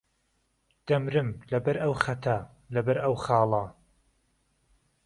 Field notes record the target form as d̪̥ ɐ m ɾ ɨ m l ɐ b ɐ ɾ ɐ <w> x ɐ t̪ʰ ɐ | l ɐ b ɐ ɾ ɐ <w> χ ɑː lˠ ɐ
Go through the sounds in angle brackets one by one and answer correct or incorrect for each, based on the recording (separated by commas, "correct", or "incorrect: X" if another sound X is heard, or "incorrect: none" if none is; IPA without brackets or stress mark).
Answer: correct, correct